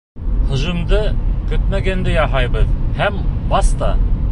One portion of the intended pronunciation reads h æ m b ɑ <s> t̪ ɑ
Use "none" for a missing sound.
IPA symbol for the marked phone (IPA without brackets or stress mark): s